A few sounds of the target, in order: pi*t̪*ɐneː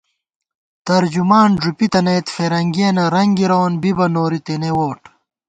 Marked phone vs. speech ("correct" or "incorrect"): correct